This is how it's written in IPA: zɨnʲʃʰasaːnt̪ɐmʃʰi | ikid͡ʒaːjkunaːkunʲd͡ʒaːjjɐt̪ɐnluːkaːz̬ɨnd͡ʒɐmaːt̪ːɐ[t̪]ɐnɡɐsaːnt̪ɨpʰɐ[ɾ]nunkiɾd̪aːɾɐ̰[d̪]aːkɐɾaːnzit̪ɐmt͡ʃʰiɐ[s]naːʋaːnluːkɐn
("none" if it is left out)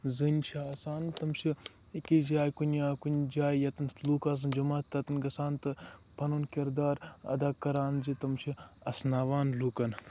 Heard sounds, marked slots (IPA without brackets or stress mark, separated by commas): t̪, none, d̪, s